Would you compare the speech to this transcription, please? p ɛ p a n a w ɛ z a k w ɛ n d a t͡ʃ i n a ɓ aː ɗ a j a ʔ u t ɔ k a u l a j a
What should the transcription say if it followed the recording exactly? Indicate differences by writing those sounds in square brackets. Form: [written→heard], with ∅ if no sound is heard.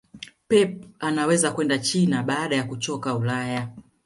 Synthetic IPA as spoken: p ɛ p a n a w ɛ z a k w ɛ n d a t͡ʃ i n a ɓ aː ɗ a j a [ʔ→k] u [t→t͡ʃ] ɔ k a u l a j a